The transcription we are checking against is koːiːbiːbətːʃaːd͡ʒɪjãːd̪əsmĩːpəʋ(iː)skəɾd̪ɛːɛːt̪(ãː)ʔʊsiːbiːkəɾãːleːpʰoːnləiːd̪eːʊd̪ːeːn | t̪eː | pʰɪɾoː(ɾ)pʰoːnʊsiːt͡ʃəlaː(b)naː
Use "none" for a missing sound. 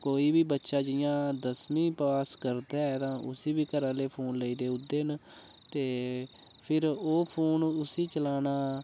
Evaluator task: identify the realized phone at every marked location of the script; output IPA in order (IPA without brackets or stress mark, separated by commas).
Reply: aː, ãː, none, none